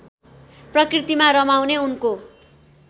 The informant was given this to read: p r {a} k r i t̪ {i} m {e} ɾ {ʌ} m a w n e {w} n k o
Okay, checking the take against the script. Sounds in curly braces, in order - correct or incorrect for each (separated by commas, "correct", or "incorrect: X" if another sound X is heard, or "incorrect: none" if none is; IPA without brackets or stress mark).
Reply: incorrect: ʌ, correct, incorrect: a, correct, incorrect: u